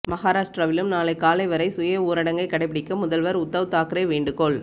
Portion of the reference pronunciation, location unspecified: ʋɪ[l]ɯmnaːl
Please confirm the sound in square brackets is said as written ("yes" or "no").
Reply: yes